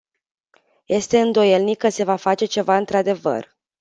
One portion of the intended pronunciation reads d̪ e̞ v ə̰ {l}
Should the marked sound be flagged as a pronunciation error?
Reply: yes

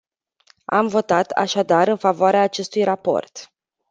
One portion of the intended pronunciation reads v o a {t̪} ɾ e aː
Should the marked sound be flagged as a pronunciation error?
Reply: yes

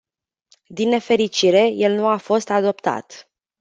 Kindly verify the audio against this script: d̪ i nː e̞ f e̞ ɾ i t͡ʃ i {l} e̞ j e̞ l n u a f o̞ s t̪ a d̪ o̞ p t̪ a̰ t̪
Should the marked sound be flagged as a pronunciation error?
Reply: yes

